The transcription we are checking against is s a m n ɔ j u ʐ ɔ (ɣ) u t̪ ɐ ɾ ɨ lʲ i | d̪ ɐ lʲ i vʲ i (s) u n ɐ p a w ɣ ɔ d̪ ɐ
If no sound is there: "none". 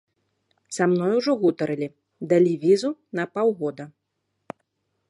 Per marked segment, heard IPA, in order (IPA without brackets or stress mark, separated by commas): ɣ, z